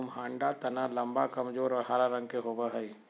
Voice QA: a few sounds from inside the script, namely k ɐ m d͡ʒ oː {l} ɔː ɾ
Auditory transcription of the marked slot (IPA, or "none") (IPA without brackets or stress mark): ɾ